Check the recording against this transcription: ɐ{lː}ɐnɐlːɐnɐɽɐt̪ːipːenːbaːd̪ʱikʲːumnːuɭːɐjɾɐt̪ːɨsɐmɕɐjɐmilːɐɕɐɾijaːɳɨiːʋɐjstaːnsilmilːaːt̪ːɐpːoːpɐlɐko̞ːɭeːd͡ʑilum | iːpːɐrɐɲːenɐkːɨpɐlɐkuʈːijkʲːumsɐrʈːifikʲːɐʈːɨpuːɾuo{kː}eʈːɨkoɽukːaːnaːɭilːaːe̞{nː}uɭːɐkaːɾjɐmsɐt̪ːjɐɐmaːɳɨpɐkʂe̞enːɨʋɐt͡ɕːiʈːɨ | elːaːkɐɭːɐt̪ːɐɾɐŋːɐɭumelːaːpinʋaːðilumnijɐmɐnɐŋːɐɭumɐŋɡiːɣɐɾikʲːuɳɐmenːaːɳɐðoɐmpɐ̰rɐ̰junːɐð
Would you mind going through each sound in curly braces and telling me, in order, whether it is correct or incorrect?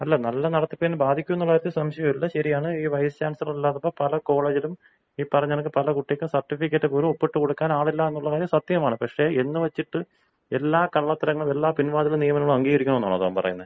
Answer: correct, incorrect, correct

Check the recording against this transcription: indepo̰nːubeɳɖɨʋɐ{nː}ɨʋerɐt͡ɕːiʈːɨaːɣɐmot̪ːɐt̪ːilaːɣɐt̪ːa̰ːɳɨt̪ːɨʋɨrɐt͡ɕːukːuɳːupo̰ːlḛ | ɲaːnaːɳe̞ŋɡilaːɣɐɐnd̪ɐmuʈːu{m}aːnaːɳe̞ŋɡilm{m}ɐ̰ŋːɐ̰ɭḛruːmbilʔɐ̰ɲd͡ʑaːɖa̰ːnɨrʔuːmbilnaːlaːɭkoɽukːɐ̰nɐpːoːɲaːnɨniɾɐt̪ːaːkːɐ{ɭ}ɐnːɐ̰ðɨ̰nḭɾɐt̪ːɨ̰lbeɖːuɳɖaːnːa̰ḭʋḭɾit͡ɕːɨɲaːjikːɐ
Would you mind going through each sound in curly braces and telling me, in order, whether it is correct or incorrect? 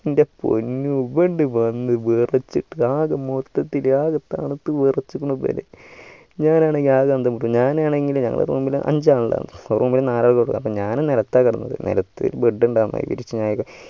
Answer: correct, incorrect, incorrect, incorrect

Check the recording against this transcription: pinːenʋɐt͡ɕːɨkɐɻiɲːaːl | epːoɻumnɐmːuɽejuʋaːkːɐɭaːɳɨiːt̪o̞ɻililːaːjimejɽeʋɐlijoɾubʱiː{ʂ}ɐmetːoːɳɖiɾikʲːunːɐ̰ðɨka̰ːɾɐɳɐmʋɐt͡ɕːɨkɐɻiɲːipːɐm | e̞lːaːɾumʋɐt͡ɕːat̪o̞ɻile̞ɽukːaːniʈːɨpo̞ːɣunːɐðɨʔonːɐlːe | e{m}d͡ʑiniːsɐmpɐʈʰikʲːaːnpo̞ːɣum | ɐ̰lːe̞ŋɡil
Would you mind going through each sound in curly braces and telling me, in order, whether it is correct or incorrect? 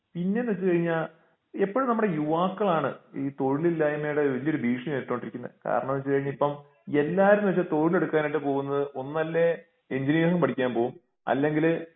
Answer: correct, incorrect

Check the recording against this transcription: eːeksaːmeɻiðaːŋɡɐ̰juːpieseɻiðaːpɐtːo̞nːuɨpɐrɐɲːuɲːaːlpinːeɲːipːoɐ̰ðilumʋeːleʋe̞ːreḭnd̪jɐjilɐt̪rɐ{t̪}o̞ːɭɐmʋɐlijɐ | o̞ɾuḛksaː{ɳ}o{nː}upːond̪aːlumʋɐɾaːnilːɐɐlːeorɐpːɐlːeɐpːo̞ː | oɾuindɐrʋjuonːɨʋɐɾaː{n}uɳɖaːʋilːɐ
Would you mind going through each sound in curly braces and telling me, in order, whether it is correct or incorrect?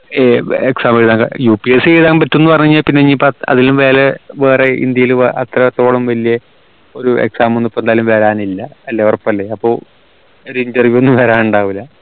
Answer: correct, incorrect, correct, correct

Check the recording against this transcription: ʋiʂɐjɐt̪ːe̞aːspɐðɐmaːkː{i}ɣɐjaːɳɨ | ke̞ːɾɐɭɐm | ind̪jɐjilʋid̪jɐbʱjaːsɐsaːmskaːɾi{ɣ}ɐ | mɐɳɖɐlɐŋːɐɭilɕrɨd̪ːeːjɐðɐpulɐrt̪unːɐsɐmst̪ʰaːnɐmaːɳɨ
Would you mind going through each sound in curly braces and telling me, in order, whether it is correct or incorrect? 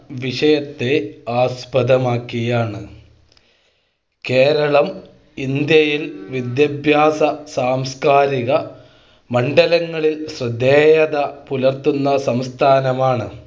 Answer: correct, correct

